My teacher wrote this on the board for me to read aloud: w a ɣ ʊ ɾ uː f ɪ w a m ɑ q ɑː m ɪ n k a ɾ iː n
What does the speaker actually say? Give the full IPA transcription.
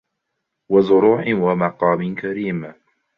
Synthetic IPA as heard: w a z ʊ ɾ uː ħ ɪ w a m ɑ q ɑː m ɪ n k a ɾ iː m